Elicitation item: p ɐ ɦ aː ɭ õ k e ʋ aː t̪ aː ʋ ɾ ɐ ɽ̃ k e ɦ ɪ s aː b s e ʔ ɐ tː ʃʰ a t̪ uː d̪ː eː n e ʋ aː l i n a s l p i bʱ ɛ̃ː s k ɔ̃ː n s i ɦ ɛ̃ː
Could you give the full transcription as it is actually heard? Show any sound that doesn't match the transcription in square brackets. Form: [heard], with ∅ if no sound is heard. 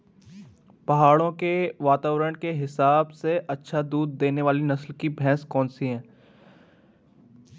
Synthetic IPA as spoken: p ɐ ɦ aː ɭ õ k e ʋ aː t̪ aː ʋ ɾ [ə] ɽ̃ k e ɦ ɪ s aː b s e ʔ ɐ tː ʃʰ a [d̪] uː d̪ː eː n e ʋ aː l i n [ɐ] s l [k] i bʱ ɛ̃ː s k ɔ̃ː n s i ɦ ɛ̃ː